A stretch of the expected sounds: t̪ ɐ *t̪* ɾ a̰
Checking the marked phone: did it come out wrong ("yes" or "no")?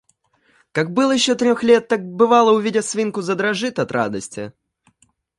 no